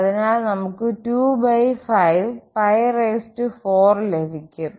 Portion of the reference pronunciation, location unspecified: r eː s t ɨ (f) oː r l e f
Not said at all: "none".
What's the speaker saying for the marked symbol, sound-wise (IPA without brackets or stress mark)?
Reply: f